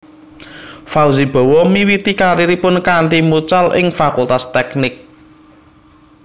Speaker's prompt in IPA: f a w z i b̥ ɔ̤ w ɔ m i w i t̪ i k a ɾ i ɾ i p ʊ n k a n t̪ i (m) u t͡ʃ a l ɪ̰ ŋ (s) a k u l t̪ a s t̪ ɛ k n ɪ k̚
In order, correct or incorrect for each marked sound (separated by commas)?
correct, incorrect